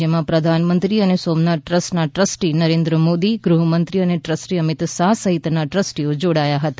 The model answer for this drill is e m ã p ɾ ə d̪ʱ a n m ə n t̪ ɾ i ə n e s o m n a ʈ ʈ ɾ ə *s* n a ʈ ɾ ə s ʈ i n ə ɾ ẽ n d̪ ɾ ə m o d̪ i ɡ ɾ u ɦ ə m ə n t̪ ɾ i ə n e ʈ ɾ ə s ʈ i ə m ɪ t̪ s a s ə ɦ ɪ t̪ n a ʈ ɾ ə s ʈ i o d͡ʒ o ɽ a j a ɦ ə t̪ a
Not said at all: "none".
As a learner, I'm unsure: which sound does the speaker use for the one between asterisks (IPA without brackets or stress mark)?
s